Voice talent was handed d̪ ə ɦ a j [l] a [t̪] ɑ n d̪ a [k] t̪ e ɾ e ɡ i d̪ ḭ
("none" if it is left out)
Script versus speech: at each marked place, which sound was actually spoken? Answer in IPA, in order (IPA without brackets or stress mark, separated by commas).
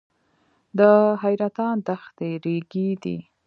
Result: ɾ, t̪, x